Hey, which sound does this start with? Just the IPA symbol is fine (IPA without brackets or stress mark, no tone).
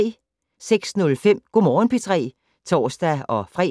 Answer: s